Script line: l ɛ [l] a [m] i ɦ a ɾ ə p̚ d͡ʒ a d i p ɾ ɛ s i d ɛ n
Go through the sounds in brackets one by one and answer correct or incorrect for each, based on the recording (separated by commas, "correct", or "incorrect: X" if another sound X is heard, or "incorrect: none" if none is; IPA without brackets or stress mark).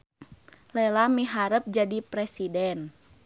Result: correct, correct